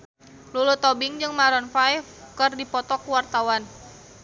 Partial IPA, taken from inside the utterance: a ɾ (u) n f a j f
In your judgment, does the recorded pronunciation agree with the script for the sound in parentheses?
no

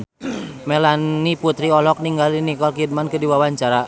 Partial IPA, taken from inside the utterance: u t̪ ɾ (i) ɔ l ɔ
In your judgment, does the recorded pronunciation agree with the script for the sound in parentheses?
yes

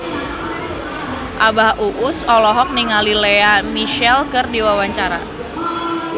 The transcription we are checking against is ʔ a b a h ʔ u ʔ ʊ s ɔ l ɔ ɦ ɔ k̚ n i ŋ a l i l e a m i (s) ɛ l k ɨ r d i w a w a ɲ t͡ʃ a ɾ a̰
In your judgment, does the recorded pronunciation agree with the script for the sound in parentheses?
no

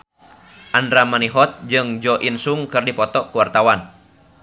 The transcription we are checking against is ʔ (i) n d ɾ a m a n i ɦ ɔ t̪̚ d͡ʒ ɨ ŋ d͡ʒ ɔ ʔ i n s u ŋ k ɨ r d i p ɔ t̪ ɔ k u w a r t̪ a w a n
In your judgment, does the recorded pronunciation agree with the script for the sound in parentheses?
no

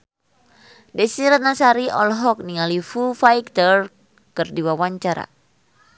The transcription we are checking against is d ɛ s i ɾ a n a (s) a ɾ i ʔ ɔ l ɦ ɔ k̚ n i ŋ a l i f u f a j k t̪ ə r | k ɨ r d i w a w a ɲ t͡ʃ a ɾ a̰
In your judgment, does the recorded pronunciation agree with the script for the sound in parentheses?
yes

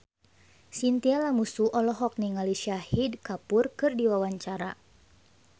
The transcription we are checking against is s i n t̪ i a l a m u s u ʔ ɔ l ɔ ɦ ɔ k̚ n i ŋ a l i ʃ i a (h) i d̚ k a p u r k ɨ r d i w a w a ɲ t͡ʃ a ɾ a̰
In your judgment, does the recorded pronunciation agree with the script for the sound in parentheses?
yes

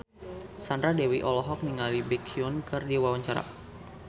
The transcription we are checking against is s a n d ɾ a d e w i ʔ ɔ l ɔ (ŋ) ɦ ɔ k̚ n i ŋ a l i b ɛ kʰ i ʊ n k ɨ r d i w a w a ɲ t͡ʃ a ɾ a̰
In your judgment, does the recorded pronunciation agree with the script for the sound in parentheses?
no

